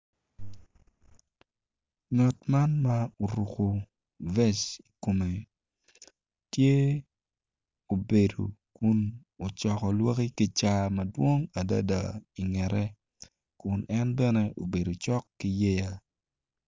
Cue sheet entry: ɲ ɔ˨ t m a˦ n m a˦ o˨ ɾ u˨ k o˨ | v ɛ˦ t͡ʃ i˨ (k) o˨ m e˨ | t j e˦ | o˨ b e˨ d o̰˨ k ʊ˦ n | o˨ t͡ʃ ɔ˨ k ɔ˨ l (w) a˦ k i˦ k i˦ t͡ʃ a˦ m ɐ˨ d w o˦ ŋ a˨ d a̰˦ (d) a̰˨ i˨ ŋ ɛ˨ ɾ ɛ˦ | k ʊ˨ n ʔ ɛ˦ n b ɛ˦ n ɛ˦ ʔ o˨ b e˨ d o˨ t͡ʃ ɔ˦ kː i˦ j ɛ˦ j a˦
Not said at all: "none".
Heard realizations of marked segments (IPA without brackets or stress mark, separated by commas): k, w, d